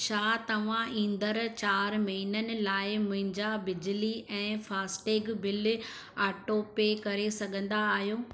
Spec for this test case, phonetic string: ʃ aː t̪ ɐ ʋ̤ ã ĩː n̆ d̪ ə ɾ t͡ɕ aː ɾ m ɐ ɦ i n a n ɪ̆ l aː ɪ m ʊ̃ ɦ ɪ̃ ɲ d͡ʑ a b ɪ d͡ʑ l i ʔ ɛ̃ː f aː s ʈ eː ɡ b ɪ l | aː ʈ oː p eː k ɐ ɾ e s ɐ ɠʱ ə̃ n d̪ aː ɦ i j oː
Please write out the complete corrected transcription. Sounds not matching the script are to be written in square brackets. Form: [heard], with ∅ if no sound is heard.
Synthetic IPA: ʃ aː t̪ ɐ ʋ̤ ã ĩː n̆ d̪ ə ɾ t͡ɕ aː ɾ m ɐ ɦ i n [ə] n ɪ̆ l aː ɪ m ʊ̃ ɦ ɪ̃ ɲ d͡ʑ a b ɪ d͡ʑ l i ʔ ɛ̃ː f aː s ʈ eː ɡ b ɪ l | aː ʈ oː p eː k ɐ ɾ e s ɐ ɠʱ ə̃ n d̪ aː ɦ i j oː